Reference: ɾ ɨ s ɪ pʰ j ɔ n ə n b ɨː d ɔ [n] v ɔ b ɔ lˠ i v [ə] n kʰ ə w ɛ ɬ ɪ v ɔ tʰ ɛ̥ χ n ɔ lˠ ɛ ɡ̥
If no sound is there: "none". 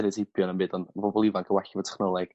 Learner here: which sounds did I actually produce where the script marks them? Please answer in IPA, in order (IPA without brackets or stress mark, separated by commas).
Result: n, a